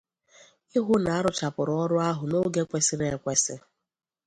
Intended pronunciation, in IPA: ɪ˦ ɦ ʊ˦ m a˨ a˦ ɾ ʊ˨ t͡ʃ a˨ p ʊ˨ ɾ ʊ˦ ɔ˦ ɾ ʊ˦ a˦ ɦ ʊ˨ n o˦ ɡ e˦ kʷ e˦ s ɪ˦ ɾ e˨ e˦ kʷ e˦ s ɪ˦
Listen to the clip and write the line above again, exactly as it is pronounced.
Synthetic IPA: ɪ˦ ɦ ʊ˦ n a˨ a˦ ɾ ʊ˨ t͡ʃ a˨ p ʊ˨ ɾ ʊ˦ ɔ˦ ɾ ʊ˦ a˦ ɦ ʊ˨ n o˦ ɡ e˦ kʷ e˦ s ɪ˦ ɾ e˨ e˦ kʷ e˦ s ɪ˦